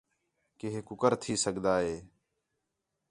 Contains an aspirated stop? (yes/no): yes